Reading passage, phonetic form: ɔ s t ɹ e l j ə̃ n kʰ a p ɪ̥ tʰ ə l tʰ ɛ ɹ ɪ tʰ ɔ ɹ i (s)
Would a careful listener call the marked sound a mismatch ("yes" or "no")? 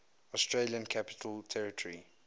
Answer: yes